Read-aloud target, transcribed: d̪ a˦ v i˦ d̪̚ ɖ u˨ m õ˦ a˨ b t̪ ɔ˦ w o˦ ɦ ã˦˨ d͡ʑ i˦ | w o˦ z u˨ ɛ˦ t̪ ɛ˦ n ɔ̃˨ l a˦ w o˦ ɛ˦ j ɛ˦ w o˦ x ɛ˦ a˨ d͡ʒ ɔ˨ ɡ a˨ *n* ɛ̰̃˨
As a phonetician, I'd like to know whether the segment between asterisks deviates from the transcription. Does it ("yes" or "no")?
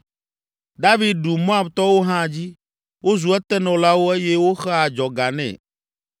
no